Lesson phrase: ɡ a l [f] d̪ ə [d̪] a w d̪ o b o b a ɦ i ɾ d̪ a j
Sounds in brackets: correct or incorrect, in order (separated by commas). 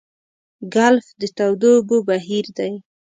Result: correct, incorrect